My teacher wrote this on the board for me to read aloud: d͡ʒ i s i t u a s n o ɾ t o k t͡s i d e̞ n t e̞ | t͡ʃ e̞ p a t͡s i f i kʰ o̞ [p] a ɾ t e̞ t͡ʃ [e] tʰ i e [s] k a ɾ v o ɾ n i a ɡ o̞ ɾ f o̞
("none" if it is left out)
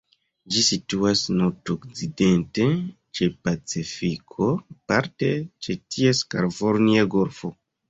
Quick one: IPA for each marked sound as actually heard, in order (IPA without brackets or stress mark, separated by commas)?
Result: p, e, s